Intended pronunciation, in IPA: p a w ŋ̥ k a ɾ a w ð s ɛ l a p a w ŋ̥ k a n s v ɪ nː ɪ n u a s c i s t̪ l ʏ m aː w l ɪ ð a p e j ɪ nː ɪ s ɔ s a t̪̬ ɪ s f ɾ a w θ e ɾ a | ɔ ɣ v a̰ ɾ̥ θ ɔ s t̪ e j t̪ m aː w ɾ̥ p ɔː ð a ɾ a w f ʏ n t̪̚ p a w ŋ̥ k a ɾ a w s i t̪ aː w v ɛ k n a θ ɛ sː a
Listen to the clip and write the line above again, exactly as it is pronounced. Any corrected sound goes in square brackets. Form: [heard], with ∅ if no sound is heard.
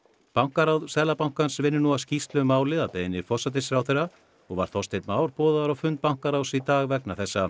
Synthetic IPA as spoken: p a w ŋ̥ k a ɾ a w ð s ɛ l a p a w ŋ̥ k a n s v ɪ nː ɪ n u a s c i s t̪ l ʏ m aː w l ɪ ð a p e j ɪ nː ɪ [f] ɔ s a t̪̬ ɪ s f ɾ a w θ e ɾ a | ɔ ɣ v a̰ ɾ̥ θ ɔ s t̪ e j t̪ m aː w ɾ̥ p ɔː ð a ɾ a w f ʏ n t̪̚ p a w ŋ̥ k a ɾ a w s i t̪ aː [ɣ] v ɛ k n a θ ɛ sː a